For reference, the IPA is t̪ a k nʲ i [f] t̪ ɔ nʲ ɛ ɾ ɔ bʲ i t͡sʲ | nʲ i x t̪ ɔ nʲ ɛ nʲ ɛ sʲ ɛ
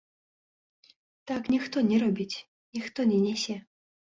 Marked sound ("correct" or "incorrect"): incorrect